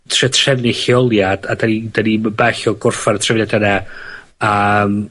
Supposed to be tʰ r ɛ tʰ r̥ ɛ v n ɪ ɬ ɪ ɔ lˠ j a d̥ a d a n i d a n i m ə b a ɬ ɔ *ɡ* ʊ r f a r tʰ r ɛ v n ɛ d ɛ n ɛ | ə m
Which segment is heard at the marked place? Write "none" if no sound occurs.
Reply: ɡ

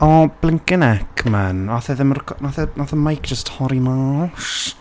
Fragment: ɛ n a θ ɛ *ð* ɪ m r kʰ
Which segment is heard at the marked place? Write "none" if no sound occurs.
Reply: ð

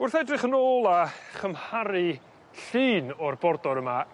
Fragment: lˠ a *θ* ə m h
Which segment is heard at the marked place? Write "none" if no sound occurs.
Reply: χ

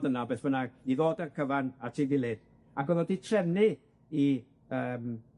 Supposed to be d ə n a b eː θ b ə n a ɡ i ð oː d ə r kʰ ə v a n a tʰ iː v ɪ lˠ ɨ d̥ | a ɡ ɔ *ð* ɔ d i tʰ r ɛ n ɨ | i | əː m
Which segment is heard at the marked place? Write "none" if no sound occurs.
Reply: ð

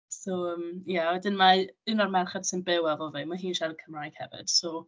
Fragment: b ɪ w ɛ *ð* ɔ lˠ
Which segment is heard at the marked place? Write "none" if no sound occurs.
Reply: v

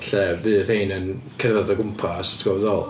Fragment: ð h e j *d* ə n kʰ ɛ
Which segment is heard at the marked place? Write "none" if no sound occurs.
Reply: n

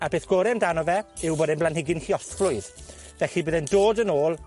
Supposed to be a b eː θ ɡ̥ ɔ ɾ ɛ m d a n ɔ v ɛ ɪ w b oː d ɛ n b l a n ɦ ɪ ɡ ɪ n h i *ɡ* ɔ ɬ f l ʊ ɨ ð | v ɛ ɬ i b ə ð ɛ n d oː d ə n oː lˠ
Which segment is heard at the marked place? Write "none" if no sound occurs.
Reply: none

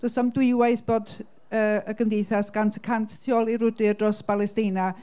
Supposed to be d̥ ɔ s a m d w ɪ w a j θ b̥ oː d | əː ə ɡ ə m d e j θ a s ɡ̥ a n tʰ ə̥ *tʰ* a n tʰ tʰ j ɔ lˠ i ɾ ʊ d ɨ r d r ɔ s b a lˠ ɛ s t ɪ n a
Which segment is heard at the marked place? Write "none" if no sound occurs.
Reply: kʰ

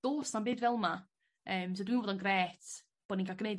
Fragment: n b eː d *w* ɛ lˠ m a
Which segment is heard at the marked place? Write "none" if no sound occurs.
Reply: v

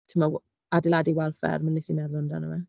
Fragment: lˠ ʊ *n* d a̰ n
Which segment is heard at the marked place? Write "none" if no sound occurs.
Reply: n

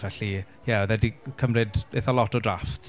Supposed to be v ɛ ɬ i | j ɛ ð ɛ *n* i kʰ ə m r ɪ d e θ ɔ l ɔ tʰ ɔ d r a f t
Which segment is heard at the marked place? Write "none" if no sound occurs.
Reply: d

